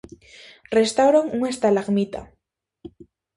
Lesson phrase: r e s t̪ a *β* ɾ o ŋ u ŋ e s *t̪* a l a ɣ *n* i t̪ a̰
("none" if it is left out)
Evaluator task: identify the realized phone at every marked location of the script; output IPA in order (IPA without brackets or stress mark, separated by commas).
w, t̪, m